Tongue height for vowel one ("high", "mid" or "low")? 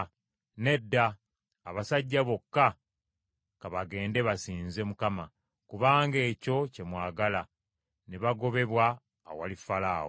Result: mid